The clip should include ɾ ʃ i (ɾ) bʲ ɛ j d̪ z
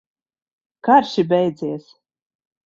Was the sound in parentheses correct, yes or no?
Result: no